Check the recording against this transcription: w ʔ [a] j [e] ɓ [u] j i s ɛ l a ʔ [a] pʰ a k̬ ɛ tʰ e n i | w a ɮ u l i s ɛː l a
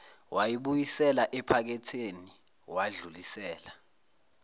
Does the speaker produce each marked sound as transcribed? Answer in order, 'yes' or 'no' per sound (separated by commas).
yes, no, yes, no